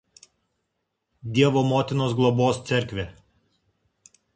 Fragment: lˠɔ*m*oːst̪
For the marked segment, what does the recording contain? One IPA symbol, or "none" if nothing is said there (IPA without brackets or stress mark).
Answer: b